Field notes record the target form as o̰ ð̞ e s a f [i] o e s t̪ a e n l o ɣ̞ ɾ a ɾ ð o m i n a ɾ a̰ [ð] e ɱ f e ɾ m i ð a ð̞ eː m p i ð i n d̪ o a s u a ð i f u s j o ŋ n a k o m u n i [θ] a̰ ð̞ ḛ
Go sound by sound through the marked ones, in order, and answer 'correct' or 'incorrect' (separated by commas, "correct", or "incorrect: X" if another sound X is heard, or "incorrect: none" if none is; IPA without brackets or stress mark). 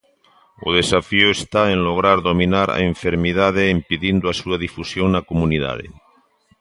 correct, incorrect: none, incorrect: ð